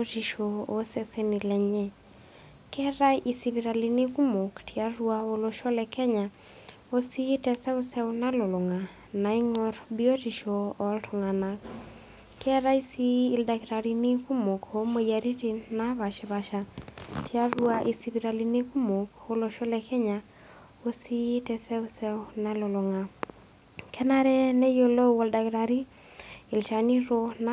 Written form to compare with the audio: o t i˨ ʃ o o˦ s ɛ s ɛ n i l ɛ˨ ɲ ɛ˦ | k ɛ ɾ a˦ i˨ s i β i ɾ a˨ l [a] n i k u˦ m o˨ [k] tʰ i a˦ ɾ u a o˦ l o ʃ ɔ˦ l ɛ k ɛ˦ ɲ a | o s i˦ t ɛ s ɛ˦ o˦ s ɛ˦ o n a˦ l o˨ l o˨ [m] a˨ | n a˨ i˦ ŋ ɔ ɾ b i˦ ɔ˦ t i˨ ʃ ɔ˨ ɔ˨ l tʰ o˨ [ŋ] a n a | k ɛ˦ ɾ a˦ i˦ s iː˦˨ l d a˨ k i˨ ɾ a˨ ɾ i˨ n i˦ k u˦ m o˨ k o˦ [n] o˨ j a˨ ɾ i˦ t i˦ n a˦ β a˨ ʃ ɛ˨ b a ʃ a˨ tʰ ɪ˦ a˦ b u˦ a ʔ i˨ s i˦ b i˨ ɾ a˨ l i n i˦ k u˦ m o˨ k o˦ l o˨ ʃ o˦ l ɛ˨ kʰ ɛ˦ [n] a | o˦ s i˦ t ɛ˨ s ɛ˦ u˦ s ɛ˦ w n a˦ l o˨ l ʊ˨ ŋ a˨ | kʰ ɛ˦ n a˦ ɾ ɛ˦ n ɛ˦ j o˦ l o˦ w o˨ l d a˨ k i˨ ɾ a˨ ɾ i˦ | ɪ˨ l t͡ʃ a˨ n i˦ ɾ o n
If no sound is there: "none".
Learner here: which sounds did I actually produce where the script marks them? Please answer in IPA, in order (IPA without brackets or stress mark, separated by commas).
i, k, ŋ, ŋ, m, ɲ